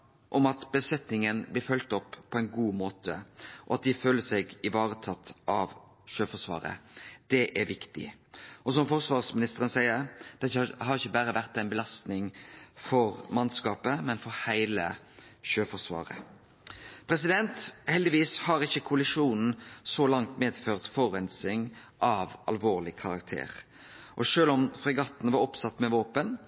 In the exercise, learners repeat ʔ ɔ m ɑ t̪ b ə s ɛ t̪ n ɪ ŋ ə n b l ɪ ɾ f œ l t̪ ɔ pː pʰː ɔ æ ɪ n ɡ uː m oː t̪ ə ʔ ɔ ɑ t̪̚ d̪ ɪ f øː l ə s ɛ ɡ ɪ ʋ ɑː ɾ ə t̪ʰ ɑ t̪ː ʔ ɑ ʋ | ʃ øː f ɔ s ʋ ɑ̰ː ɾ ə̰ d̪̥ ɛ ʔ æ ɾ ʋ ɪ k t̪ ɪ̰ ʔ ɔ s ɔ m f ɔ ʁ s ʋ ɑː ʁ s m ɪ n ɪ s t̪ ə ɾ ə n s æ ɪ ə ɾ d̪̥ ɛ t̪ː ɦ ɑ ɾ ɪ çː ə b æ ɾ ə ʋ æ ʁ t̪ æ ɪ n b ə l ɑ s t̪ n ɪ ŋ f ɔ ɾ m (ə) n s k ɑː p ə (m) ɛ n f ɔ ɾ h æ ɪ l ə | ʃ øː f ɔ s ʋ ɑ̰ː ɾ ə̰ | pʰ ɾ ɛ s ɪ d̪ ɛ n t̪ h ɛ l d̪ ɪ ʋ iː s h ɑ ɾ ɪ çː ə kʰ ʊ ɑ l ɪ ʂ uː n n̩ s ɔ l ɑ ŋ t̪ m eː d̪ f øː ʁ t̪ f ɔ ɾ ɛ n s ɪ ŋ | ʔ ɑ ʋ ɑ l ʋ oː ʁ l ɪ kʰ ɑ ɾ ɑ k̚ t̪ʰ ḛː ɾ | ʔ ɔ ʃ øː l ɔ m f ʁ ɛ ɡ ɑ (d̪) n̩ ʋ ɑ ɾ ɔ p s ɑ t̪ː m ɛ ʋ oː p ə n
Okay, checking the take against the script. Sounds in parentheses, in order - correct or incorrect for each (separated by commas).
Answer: incorrect, correct, incorrect